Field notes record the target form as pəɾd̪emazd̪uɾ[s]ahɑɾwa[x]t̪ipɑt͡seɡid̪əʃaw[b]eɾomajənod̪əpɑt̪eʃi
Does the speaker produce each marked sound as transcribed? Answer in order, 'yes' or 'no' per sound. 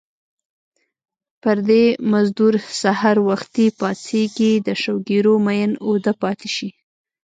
yes, yes, no

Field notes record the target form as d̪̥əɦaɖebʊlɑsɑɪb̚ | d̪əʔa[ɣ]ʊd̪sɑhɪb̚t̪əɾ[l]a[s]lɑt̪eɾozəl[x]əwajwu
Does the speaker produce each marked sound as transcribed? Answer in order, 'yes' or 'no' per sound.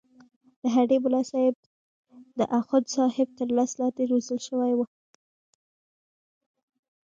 no, yes, yes, no

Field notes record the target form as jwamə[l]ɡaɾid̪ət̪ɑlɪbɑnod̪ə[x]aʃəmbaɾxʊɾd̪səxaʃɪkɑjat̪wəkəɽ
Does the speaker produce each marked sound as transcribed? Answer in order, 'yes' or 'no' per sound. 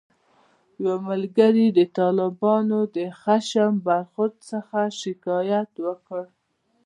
yes, yes

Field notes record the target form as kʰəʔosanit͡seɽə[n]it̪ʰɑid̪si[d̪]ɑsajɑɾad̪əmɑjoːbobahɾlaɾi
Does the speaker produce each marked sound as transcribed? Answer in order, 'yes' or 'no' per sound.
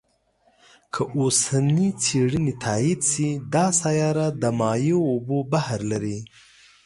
yes, yes

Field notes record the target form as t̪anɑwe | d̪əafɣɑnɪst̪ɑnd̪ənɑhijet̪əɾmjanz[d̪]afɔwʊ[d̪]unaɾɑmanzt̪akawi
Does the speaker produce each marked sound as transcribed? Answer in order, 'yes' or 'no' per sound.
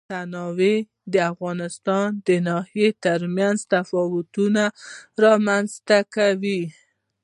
no, no

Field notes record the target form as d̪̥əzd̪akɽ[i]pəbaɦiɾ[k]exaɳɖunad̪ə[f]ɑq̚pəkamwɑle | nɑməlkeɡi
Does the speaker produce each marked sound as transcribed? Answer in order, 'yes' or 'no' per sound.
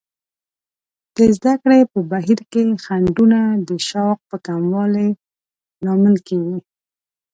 no, yes, no

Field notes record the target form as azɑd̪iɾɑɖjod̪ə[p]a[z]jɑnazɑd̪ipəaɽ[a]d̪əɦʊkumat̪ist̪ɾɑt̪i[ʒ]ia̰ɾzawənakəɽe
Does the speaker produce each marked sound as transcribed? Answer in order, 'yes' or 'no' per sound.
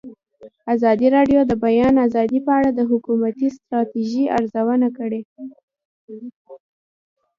no, no, yes, yes

